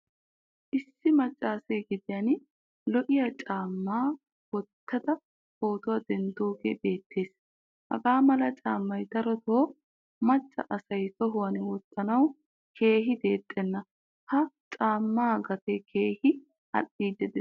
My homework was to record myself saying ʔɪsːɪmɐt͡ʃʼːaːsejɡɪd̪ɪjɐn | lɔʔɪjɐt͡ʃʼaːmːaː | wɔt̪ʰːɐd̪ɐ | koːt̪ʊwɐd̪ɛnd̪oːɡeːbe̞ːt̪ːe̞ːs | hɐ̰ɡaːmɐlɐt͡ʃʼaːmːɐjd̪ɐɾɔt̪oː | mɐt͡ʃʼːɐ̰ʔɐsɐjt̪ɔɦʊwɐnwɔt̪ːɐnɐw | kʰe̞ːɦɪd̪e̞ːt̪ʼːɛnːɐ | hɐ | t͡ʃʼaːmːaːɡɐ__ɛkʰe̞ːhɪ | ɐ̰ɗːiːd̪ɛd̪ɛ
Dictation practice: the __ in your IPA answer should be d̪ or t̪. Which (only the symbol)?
t̪